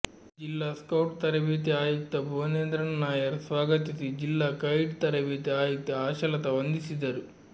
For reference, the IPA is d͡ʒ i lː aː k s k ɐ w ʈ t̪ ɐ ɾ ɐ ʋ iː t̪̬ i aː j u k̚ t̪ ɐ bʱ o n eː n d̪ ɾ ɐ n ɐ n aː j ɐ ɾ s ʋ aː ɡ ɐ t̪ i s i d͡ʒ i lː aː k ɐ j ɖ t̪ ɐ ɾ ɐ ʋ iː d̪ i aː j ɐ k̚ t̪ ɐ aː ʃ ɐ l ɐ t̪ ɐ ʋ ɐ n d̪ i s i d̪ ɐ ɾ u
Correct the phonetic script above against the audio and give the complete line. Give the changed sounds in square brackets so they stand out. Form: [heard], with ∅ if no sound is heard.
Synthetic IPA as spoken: d͡ʒ i lː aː [∅] s k ɐ w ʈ t̪ ɐ ɾ ɐ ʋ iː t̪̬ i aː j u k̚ t̪ ɐ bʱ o n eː n d̪ ɾ ɐ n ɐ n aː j ɐ ɾ s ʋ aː ɡ ɐ t̪ i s i d͡ʒ i lː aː k ɐ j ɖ t̪ ɐ ɾ ɐ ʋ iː [t̪] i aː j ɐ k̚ t̪ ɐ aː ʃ ɐ l ɐ t̪ ɐ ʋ ɐ n d̪ i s i d̪ ɐ ɾ u